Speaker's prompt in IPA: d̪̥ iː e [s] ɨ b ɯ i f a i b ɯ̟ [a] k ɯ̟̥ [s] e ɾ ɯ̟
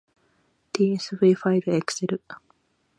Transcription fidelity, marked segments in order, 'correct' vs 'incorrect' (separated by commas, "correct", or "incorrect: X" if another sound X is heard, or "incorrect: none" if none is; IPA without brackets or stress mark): correct, incorrect: e, correct